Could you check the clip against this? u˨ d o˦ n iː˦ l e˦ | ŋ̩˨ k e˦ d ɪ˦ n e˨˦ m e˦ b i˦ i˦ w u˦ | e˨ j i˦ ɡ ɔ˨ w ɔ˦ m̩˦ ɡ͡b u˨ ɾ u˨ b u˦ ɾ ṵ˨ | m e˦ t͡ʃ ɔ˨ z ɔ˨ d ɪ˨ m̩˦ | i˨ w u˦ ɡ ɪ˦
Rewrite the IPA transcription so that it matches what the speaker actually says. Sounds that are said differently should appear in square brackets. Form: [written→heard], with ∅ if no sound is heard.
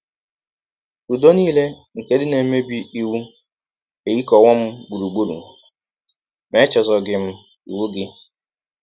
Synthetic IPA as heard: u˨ d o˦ n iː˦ l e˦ | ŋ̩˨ k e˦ d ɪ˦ n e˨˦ m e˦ b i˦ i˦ w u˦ | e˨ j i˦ [ɡ→k] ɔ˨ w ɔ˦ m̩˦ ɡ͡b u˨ ɾ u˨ [b→ɡ͡b] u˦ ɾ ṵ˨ | m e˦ t͡ʃ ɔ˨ z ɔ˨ [d→ɡ] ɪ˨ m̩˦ | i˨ w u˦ ɡ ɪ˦